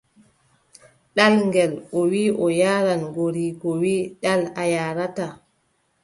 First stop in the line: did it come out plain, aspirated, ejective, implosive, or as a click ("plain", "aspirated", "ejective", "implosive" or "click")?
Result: implosive